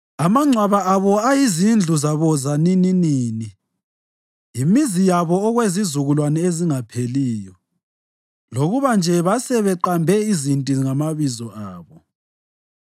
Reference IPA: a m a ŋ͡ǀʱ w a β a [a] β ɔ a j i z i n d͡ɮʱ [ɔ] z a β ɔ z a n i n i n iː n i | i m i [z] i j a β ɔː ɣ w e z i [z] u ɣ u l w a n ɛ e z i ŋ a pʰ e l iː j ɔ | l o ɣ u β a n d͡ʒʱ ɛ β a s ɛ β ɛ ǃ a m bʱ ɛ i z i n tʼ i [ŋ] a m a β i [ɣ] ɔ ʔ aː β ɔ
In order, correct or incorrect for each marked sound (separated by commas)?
correct, incorrect, correct, correct, correct, incorrect